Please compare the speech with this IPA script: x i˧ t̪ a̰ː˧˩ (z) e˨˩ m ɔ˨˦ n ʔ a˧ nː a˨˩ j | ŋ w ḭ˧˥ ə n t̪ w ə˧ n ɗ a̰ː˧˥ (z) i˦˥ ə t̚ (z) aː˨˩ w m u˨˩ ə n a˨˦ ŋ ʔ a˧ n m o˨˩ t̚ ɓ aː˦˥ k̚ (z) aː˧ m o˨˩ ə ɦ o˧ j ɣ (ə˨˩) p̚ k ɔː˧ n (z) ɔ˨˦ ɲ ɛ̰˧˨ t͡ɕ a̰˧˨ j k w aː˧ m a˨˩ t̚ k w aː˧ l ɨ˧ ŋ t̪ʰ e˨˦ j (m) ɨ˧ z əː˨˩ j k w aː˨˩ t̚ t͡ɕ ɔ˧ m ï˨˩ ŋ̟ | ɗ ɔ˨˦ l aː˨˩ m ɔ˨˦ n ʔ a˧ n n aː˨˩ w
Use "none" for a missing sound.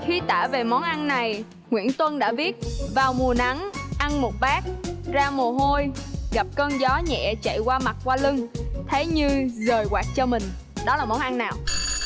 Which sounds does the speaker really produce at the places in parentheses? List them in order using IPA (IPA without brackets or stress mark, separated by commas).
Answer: v, v, v, z, a˨˩, z, ɲ